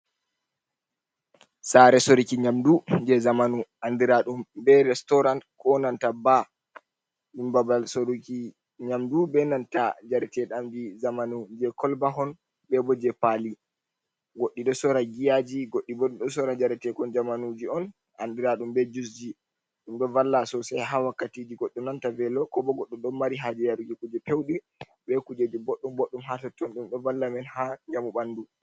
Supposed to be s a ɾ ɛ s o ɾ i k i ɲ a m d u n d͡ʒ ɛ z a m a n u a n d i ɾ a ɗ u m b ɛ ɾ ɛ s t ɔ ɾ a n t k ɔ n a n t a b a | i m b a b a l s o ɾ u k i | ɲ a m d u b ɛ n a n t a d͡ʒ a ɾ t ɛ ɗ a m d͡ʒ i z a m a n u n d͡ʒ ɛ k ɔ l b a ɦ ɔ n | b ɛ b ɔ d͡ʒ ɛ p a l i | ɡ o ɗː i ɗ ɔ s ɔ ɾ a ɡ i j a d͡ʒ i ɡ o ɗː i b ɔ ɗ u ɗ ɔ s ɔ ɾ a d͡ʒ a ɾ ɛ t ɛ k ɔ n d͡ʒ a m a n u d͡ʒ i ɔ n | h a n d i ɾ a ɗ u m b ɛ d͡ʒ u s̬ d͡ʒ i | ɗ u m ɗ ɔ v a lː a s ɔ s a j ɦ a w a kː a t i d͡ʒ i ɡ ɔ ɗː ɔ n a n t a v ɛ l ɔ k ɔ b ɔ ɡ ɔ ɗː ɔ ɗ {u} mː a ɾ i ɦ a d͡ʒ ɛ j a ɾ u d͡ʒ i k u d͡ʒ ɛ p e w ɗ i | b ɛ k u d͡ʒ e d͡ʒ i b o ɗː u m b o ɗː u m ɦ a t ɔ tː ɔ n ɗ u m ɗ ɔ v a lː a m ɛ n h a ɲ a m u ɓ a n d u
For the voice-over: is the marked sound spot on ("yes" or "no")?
no